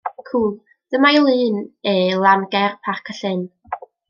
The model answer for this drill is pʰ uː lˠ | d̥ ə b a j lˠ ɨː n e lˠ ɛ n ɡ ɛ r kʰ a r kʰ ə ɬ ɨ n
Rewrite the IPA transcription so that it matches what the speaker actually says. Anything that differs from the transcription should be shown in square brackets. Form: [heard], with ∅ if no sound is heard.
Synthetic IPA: [kʰ] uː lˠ | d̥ ə [m] a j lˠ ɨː n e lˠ [a] n ɡ ɛ r [pʰ] a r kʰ ə ɬ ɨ n